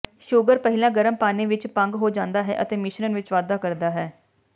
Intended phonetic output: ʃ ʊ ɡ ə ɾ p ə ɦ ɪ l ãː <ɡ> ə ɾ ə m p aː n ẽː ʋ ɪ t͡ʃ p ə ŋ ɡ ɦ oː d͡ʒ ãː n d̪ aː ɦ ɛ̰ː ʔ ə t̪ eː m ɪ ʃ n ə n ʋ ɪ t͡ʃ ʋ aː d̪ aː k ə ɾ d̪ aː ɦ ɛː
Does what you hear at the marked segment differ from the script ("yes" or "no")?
no